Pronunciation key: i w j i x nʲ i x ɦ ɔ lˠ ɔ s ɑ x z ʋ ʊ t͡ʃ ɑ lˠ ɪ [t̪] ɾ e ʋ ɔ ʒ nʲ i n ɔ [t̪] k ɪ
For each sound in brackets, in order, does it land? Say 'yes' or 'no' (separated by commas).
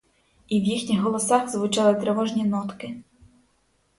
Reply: yes, yes